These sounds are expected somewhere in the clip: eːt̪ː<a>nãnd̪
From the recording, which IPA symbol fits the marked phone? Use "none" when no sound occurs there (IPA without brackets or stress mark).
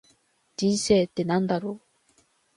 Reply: e